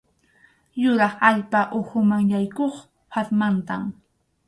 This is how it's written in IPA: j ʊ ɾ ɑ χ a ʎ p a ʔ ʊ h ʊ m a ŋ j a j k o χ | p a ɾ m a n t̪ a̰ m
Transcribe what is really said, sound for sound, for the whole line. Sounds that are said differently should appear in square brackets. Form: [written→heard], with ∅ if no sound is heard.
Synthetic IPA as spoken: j ʊ ɾ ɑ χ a ʎ p a ʔ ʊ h ʊ m a ŋ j a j k o χ | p a ɾ m a n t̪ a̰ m